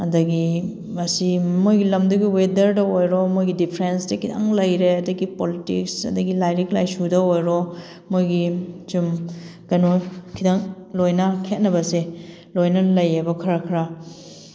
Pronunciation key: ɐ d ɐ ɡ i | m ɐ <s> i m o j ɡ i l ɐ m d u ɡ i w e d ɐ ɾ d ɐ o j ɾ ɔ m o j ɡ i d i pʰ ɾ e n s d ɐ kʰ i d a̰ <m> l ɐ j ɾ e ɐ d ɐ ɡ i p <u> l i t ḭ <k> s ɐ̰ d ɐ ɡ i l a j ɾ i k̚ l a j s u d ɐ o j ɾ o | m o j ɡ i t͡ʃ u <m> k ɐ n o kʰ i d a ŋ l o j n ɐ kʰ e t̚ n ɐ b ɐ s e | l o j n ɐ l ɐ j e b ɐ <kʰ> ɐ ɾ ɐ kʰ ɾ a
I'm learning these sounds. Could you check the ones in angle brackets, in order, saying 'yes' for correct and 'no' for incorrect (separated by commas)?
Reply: yes, no, no, yes, yes, yes